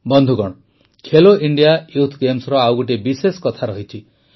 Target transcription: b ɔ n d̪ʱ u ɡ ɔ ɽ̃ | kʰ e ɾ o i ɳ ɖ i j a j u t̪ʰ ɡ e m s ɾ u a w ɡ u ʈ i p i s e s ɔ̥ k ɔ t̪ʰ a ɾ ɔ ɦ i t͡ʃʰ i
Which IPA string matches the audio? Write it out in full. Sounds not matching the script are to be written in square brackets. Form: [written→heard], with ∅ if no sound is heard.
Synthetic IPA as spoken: b ɔ n d̪ʱ u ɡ ɔ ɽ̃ | kʰ e [ɾ→l] o i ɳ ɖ i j a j u t̪ʰ ɡ e m s ɾ [u→ɔ] a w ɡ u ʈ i [p→b] i s e s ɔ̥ k ɔ t̪ʰ a ɾ ɔ ɦ i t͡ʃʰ i